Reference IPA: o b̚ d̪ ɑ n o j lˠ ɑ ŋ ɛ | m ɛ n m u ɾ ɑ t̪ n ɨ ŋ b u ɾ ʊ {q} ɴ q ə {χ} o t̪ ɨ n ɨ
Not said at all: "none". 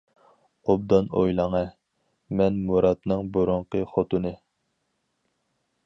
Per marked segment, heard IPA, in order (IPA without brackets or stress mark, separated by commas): none, χ